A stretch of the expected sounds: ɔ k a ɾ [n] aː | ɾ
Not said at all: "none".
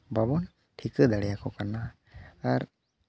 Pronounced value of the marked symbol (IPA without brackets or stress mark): n